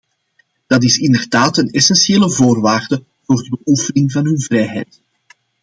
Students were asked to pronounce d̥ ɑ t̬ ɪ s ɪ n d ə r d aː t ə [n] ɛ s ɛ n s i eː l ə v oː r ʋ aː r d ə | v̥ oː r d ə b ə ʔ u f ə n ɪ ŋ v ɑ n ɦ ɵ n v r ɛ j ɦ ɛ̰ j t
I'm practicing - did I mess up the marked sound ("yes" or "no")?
no